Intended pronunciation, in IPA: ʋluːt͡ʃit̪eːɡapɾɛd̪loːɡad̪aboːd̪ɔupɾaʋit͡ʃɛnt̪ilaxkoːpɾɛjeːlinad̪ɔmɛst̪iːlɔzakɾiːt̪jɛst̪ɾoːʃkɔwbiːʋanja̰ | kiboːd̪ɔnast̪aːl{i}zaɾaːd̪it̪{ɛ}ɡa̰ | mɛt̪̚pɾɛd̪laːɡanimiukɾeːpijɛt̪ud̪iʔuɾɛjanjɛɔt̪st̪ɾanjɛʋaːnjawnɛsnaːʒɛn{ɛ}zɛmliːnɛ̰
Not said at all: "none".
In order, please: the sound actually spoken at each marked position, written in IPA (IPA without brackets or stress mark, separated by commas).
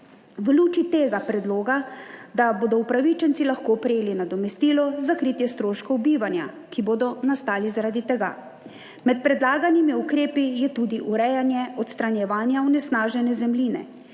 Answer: i, ɛ, ɛ